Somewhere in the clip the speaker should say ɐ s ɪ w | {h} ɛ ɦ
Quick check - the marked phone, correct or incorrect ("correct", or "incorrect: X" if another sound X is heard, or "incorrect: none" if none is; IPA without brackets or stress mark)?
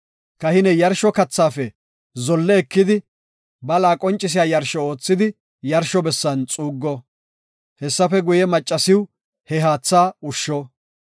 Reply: correct